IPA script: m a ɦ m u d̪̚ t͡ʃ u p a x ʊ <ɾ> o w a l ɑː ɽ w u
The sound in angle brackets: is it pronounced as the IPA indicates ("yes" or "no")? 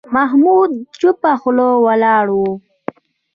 no